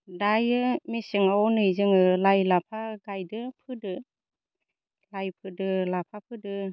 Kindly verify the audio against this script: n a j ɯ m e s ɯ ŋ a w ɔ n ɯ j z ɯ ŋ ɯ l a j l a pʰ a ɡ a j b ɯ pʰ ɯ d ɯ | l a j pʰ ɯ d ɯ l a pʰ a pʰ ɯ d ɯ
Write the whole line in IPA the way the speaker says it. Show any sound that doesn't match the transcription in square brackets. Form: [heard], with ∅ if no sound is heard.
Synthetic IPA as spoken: [d] a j ɯ m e s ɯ ŋ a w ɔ n ɯ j z ɯ ŋ ɯ l a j l a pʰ a ɡ a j [d] ɯ pʰ ɯ d ɯ | l a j pʰ ɯ d ɯ l a pʰ a pʰ ɯ d ɯ